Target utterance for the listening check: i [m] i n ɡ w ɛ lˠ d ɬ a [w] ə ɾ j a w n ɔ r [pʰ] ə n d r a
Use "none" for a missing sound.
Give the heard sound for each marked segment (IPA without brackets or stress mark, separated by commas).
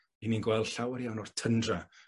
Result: n, w, tʰ